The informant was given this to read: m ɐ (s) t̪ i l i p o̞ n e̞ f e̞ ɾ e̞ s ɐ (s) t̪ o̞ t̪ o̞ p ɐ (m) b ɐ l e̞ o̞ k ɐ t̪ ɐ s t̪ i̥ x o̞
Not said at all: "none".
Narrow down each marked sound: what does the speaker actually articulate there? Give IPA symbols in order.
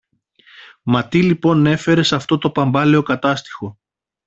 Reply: none, f, m

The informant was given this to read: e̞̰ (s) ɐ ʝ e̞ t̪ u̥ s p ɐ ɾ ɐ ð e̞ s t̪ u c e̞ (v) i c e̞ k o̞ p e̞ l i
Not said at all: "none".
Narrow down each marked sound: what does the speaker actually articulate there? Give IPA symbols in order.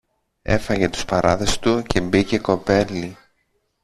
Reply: f, b

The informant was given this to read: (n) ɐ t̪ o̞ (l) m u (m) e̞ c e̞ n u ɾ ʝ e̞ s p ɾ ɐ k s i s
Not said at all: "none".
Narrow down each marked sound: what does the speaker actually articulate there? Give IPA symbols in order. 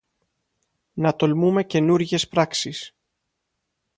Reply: n, l, m

